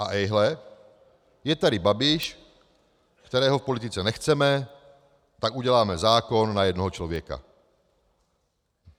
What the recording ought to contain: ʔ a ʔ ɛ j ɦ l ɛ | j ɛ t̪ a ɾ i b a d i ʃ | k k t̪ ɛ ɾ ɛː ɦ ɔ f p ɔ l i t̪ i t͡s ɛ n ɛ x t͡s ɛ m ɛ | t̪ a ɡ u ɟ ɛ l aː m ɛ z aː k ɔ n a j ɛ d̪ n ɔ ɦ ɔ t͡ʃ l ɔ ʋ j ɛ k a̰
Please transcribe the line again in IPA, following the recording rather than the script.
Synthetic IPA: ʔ a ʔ ɛ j ɦ l ɛ | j ɛ t̪ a ɾ i b a b i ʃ | k k t̪ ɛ ɾ ɛː ɦ ɔ f p ɔ l i t̪ i t͡s ɛ n ɛ x t͡s ɛ m ɛ | t̪ a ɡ u ɟ ɛ l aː m ɛ z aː k ɔ nː a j ɛ d̪ n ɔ ɦ ɔ t͡ʃ l ɔ ʋ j ɛ k a̰